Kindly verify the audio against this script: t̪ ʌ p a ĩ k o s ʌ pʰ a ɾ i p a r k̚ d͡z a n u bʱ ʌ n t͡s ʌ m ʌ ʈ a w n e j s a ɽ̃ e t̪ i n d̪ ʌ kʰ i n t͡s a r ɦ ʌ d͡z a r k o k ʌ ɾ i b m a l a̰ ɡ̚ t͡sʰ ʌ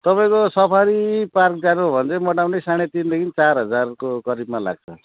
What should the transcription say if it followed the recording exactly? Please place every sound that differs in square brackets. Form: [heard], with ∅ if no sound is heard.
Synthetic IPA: t̪ ʌ p a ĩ k o s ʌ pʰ a ɾ i p a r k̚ d͡z a n u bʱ ʌ n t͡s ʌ m ʌ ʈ a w n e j s a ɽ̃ e t̪ i n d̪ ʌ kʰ i n t͡s a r ɦ ʌ d͡z a r k o k ʌ ɾ i b m a l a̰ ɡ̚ t͡sʰ ʌ